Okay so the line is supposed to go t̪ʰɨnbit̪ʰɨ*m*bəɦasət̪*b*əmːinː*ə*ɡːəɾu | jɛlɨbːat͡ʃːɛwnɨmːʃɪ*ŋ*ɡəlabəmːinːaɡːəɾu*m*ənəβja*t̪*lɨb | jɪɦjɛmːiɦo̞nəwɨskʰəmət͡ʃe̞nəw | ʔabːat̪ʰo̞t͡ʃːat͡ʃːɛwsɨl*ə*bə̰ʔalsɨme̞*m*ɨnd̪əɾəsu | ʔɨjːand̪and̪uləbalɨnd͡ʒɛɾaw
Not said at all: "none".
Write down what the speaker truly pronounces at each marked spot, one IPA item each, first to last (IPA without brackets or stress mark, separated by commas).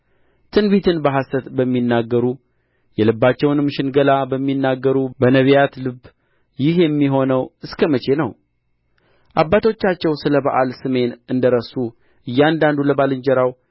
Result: n, b, a, n, b, t̪, ə, n